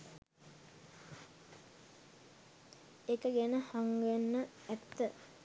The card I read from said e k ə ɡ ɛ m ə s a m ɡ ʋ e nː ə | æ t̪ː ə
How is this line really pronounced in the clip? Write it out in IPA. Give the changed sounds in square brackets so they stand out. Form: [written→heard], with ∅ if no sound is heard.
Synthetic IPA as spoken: e k ə ɡ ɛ [m→n] ə [s→h] a [m→ŋ] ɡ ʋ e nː ə | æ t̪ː ə